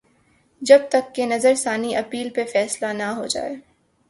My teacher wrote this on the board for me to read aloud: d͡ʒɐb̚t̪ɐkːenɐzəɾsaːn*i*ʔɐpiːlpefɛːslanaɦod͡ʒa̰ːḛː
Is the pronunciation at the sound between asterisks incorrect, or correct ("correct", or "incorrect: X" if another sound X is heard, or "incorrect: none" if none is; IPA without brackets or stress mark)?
correct